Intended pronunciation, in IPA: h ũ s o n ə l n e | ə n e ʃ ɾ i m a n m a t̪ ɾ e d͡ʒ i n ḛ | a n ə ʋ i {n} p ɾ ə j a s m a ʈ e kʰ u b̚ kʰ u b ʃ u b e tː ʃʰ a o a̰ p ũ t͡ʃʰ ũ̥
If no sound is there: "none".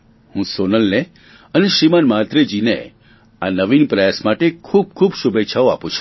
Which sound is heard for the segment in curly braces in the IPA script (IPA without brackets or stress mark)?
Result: n